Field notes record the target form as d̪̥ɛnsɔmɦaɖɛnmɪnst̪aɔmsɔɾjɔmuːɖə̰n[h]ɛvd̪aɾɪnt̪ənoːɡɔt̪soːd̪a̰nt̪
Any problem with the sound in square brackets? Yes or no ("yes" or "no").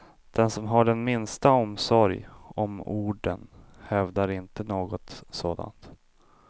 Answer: no